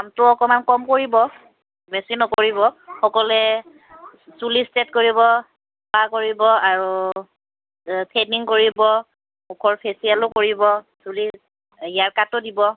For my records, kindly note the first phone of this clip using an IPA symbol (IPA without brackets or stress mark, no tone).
a